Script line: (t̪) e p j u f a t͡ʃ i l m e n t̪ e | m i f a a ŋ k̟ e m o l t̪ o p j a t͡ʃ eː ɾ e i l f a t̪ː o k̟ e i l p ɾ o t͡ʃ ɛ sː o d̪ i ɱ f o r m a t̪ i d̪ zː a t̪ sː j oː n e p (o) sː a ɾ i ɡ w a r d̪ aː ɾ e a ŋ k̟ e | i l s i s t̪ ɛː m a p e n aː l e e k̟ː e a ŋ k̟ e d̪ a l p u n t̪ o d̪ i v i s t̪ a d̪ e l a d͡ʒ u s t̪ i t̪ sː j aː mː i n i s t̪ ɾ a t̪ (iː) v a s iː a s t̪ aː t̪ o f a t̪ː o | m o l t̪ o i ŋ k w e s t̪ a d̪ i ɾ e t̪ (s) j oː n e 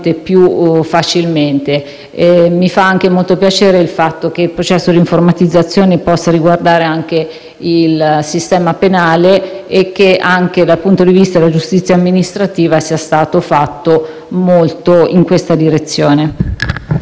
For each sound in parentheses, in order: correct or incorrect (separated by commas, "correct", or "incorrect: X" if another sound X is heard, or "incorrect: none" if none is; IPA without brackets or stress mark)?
correct, incorrect: ɔ, correct, incorrect: sː